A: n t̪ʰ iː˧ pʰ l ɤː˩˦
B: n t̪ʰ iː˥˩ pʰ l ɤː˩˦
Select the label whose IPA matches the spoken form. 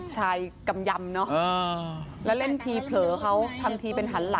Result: A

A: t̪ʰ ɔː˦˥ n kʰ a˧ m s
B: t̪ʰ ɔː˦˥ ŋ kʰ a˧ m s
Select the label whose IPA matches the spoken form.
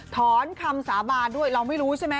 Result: A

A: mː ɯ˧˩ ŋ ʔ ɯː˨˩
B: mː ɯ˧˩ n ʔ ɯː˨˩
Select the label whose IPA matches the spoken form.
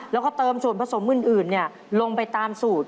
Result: B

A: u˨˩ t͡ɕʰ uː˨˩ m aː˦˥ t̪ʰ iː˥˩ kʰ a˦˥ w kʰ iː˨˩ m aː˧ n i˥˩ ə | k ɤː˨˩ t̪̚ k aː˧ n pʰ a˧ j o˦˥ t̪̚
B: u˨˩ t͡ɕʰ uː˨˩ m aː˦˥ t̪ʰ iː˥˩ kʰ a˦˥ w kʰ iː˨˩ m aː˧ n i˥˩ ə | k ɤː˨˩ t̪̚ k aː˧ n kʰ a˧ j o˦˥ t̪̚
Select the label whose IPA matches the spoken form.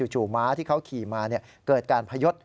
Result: A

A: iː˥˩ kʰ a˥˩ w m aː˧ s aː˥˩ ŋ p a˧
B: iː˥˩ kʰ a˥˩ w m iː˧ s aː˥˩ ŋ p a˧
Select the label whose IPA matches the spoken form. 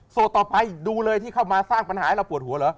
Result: A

